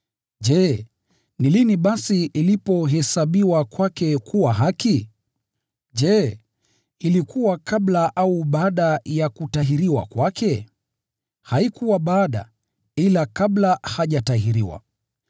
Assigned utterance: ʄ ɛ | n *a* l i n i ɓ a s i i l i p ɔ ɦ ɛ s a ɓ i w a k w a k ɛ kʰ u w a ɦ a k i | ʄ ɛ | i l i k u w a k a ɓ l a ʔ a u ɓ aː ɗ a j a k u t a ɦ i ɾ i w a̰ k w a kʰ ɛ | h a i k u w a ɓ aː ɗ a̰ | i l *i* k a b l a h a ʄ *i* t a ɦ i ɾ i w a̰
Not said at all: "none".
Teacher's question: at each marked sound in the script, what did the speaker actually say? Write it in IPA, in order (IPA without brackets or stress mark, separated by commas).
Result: i, a, a